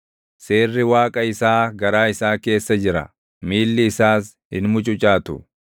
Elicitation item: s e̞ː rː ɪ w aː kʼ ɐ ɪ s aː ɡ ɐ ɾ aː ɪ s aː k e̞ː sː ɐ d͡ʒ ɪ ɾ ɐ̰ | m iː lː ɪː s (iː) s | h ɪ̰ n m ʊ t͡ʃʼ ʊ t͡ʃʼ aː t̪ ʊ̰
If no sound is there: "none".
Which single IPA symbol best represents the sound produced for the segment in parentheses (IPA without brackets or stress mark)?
aː